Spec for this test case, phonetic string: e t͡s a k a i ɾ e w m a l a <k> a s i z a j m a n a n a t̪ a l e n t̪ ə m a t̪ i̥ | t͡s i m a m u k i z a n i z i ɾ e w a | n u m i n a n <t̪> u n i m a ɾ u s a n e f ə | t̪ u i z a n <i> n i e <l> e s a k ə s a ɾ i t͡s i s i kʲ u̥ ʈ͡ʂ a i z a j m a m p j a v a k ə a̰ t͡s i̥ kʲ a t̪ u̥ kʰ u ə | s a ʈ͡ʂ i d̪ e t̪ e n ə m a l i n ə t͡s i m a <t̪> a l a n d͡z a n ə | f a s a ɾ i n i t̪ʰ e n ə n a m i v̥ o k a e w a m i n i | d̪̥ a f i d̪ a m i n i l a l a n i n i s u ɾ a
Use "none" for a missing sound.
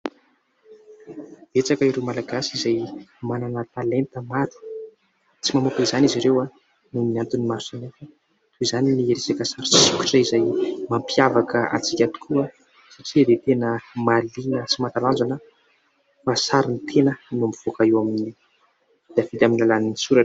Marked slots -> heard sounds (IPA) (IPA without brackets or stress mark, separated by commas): ɡ, t̪, i, ɾ, t̪